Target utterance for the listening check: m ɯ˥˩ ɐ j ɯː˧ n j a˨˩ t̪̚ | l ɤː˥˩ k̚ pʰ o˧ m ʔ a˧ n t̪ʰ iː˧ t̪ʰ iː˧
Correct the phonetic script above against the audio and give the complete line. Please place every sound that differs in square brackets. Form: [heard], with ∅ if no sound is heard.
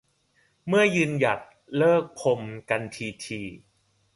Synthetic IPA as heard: m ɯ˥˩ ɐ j ɯː˧ n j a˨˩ t̪̚ | l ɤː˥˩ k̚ pʰ o˧ m [k] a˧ n t̪ʰ iː˧ t̪ʰ iː˧